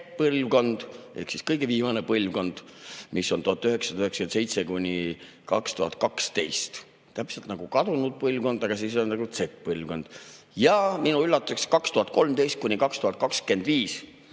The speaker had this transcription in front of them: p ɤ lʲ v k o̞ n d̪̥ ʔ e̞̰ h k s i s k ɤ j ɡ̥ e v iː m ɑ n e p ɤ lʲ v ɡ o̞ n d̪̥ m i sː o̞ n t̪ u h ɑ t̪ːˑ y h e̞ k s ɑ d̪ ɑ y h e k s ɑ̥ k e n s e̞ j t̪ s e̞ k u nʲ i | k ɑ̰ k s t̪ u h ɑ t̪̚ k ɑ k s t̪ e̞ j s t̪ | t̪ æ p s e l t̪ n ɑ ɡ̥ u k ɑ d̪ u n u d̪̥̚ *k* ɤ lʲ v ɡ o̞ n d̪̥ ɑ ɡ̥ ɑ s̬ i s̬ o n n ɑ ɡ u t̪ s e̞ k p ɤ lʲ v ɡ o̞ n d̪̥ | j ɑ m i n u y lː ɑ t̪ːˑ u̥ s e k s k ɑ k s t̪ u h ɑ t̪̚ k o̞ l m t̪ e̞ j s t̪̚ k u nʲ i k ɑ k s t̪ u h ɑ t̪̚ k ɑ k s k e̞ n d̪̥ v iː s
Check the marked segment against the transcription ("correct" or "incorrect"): incorrect